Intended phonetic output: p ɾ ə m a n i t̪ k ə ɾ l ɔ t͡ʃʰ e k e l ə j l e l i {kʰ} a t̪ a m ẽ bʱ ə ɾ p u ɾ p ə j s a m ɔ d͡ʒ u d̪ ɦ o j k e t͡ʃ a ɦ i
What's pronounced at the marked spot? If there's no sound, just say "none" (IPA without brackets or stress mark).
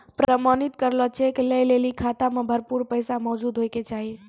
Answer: kʰ